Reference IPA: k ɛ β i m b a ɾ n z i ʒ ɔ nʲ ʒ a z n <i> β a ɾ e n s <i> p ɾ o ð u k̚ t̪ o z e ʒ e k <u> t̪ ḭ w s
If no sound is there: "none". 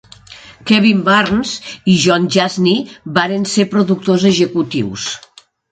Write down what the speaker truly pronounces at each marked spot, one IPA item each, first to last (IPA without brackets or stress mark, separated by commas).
i, e, u